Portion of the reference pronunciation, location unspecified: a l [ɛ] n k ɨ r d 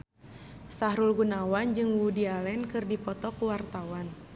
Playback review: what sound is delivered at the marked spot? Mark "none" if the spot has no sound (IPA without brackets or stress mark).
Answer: ɛ